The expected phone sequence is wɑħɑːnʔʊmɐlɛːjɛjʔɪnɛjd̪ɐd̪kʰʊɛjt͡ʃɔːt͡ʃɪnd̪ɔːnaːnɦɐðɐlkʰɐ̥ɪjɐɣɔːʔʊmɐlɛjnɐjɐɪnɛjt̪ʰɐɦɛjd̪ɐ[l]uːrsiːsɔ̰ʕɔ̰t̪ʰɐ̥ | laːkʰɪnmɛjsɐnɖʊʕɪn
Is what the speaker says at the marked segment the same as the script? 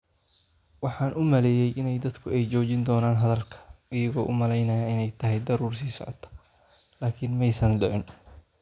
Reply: no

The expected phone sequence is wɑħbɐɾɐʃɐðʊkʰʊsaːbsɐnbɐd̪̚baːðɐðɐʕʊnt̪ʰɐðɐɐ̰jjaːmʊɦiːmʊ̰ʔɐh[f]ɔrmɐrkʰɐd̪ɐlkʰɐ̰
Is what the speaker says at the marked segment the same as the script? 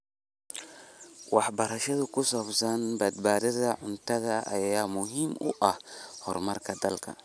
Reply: no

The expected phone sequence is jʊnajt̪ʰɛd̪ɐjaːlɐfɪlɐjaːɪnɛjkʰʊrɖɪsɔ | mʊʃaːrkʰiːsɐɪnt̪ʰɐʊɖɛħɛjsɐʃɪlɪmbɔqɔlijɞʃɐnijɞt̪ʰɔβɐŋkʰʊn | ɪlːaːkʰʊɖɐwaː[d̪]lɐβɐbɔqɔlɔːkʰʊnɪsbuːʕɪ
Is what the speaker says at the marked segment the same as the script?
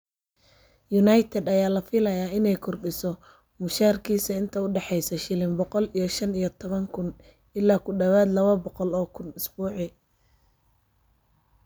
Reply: yes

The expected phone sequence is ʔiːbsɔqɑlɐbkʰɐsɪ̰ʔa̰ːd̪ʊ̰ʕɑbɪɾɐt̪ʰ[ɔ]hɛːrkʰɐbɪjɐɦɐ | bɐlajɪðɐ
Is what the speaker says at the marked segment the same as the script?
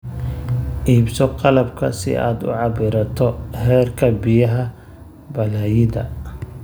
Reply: yes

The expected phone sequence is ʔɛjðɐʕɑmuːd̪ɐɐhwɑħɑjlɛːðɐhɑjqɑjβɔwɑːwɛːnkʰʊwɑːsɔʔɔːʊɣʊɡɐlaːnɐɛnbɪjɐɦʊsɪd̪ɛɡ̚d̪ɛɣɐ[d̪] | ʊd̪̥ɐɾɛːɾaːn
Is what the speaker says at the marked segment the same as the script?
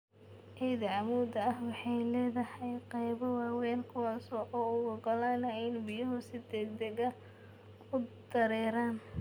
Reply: no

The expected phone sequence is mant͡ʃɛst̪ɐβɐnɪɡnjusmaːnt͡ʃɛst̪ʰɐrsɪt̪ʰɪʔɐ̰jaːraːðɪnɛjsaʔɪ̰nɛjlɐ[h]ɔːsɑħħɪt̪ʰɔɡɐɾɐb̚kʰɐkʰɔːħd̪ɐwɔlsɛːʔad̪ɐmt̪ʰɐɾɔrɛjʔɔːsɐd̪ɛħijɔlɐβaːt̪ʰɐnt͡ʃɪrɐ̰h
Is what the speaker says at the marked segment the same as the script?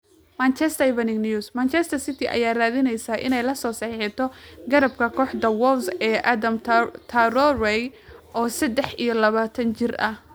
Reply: no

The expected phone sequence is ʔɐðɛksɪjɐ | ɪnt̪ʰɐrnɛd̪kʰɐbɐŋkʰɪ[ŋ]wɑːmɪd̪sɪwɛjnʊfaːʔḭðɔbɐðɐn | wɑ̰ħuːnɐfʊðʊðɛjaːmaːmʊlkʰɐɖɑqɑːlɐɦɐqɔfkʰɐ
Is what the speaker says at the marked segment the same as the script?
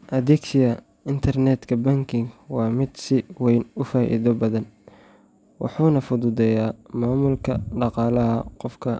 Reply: yes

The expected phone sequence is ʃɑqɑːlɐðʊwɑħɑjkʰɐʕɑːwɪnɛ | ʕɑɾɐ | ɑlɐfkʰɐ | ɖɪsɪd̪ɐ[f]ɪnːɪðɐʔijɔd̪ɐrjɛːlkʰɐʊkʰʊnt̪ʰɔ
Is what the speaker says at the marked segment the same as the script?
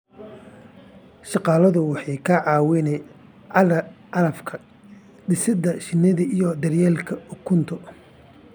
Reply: no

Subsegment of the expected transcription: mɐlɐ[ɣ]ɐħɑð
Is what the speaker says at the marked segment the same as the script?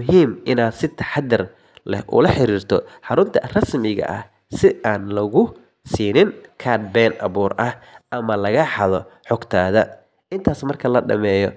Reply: yes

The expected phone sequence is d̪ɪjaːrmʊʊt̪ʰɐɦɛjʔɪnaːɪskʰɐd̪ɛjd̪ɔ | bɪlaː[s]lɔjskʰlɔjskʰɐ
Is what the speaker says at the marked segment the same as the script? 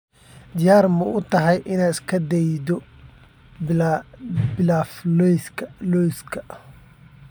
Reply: no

